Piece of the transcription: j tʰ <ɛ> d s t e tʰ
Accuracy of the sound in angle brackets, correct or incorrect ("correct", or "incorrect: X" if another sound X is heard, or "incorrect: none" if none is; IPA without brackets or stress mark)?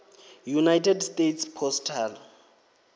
correct